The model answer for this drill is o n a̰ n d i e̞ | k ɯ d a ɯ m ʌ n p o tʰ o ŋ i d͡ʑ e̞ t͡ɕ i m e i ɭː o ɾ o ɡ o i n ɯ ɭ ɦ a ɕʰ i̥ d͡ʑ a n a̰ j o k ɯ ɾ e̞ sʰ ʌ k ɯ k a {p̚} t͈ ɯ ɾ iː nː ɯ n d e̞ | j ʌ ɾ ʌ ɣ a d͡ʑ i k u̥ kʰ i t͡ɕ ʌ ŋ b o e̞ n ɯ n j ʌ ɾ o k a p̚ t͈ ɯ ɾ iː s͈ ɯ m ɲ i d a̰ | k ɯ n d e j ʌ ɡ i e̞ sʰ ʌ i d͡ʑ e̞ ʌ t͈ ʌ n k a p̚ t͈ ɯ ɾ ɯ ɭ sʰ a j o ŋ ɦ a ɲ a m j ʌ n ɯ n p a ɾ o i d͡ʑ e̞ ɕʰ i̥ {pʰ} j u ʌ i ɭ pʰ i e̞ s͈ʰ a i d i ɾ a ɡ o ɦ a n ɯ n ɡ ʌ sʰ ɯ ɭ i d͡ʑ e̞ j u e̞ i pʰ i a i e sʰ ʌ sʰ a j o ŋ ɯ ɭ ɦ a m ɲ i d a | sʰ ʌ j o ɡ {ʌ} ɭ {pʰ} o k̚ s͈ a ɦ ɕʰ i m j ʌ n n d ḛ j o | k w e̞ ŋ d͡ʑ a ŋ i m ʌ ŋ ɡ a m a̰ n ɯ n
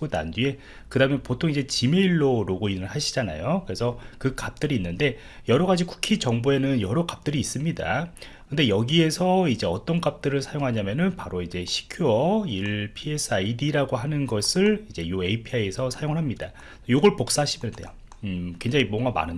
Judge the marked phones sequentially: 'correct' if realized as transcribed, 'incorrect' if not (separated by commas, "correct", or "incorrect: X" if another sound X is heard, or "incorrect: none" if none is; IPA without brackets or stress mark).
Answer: correct, incorrect: kʰ, correct, incorrect: p